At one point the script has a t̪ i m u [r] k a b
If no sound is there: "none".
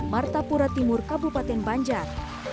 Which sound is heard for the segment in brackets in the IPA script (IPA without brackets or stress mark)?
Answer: r